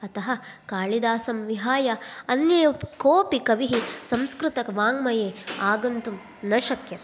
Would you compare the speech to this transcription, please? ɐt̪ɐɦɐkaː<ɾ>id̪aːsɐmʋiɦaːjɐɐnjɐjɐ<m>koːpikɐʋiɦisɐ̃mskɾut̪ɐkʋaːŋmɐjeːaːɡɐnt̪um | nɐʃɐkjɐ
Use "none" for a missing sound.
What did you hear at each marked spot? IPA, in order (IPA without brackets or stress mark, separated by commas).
ɭ, none